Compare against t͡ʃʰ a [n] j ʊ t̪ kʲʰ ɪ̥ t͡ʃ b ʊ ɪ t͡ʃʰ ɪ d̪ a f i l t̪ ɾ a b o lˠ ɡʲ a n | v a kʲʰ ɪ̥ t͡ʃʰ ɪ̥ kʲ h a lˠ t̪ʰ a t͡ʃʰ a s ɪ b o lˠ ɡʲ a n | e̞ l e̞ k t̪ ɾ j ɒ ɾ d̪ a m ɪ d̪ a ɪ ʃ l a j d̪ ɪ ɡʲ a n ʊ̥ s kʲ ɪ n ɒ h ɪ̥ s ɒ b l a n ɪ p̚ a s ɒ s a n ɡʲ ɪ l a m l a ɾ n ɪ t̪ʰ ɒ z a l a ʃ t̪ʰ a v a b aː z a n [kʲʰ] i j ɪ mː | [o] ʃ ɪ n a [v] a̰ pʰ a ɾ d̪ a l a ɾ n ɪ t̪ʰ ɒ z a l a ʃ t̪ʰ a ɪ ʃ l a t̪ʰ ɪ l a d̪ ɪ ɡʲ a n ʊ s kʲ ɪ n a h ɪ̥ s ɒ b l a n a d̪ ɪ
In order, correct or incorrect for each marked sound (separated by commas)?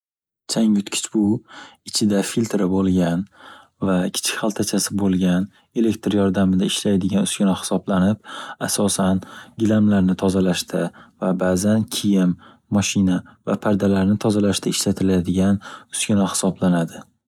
incorrect, correct, incorrect, correct